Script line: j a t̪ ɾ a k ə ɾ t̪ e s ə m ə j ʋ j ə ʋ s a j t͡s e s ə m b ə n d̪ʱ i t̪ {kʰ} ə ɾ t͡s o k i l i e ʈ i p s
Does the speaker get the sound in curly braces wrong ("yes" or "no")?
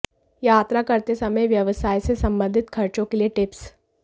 no